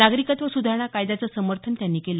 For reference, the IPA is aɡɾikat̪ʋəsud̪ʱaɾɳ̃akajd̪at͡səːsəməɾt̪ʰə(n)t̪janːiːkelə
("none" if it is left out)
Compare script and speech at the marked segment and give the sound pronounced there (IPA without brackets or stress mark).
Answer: n